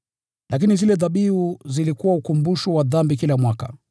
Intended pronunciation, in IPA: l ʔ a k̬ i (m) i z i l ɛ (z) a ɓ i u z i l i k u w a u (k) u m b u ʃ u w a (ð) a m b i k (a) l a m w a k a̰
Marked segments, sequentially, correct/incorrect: incorrect: n, incorrect: ð, correct, correct, incorrect: i

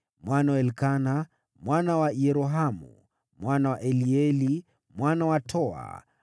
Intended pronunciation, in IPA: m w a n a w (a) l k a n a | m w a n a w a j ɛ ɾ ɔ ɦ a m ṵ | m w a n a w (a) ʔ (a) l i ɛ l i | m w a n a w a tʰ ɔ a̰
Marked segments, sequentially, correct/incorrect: incorrect: ɛ, correct, incorrect: ɛ

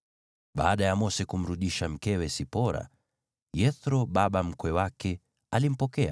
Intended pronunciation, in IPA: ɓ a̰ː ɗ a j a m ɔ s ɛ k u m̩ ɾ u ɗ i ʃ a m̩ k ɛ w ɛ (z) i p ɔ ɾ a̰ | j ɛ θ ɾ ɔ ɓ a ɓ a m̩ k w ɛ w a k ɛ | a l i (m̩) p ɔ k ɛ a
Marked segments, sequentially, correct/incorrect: incorrect: s, correct

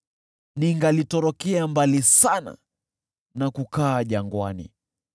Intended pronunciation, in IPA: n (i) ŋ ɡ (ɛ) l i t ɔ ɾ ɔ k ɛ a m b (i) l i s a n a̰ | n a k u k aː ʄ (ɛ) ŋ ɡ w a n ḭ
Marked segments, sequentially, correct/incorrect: correct, incorrect: a, incorrect: a, incorrect: a

